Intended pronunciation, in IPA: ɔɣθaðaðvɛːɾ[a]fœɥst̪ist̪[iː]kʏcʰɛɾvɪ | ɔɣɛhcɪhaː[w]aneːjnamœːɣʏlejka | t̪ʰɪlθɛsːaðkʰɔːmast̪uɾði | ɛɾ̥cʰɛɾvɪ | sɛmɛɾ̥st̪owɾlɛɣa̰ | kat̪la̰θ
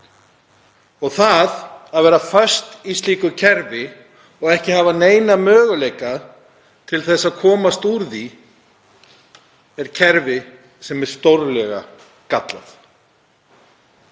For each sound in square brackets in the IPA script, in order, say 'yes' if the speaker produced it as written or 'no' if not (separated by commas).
yes, yes, no